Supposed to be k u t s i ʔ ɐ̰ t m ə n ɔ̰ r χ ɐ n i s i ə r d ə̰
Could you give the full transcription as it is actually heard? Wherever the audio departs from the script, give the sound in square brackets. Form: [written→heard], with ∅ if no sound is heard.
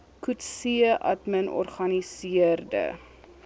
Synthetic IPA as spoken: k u t s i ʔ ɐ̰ t m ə n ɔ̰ r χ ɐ n i s i ə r d ə̰